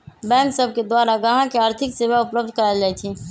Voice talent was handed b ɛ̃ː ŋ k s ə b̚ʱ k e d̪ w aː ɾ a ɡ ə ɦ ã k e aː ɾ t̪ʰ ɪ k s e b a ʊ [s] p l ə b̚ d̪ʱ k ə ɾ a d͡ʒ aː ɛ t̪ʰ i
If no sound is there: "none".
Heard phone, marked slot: none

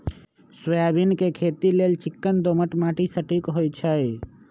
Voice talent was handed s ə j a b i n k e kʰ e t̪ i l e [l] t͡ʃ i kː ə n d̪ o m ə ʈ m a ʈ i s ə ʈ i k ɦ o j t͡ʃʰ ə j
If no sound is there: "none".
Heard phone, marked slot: l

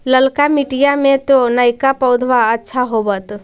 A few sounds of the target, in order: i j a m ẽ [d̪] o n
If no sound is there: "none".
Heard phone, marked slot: t̪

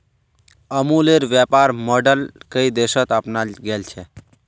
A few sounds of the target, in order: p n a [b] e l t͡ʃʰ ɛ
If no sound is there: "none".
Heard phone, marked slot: ɡ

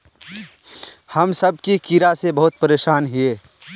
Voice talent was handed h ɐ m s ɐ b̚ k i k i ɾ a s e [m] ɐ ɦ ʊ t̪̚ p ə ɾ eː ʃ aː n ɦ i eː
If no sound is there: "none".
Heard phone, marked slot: b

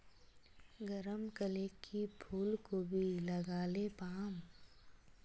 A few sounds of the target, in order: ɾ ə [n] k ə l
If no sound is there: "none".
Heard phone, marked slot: m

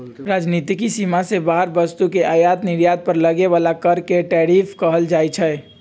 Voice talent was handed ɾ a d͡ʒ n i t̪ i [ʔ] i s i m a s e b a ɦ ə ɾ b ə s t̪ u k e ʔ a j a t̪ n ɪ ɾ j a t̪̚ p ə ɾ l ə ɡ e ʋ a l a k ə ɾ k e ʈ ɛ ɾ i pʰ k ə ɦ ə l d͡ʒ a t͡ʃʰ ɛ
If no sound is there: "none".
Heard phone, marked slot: k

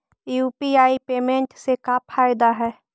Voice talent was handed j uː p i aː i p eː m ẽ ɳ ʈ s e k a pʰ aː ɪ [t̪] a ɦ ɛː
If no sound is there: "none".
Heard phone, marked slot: d̪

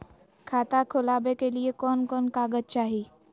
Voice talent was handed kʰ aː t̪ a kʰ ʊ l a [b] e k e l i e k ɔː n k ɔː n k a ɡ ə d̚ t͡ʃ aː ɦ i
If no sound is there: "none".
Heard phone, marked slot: b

